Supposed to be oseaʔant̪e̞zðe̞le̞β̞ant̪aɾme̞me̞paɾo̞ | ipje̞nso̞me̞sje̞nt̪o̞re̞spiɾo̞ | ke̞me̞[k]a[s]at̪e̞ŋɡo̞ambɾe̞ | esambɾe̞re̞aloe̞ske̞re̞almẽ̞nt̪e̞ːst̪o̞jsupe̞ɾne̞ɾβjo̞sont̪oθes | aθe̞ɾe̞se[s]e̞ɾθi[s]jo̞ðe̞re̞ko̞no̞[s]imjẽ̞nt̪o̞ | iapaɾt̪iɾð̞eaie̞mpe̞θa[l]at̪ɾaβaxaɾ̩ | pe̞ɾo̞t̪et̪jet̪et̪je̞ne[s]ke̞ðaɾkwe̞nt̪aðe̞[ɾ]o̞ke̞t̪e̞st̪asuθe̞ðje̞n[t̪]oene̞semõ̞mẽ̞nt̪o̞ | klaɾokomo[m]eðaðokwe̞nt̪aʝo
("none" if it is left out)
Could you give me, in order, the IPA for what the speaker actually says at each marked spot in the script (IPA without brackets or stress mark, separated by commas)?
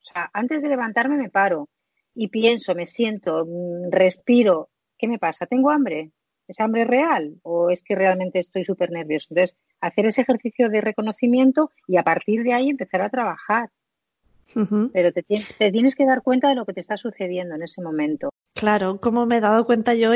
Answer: p, s, x, θ, θ, ɾ, s, l, d̪, m